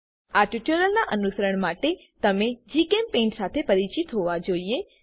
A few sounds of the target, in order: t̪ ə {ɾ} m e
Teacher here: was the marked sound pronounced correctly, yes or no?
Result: no